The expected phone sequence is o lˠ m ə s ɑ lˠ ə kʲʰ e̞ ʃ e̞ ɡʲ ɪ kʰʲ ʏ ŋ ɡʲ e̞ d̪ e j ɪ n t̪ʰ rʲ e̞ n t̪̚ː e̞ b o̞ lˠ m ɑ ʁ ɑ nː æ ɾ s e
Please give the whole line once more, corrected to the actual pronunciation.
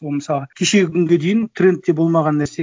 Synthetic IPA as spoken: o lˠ m ə s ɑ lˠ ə kʲʰ e̞ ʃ e̞ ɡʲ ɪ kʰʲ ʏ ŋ ɡʲ e̞ d̪ e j ɪ n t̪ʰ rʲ e̞ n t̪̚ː e̞ b o̞ lˠ m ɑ ʁ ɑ nː æ ɾ s e